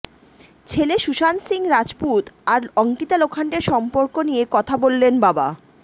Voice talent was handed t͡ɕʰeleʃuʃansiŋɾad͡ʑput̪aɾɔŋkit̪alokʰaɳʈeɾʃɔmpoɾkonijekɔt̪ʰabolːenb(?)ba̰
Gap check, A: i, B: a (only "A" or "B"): B